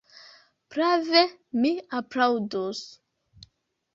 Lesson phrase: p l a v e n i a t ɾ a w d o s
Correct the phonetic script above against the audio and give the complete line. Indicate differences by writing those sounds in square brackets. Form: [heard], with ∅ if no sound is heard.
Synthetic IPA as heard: p [ɾ] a v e [m] i a [p] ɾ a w d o s